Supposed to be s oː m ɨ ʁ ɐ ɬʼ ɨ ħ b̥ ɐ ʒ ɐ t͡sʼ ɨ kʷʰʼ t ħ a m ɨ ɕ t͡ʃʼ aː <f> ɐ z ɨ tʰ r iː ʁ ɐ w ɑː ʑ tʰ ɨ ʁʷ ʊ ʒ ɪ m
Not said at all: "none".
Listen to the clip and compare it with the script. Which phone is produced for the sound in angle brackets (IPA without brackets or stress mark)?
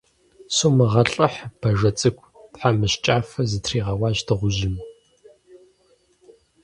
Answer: f